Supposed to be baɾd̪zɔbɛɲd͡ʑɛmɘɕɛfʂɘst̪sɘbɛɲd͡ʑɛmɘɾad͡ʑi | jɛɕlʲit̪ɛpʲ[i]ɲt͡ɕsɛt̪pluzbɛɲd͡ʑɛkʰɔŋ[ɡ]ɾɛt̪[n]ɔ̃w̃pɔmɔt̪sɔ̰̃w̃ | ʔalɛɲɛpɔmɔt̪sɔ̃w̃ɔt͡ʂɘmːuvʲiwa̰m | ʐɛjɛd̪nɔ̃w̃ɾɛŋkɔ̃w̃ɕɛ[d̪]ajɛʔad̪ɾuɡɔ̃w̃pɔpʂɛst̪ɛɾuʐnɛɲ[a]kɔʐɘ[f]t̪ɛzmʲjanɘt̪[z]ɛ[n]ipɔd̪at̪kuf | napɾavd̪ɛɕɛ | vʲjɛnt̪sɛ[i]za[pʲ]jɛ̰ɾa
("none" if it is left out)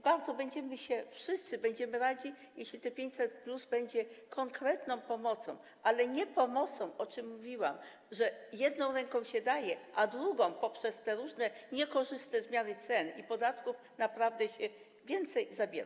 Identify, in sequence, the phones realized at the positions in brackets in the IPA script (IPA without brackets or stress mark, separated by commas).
e, k, n, d̪, ɛ, s, s, n, j, bʲ